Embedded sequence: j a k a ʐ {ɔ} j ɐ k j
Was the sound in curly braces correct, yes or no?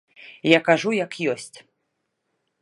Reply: no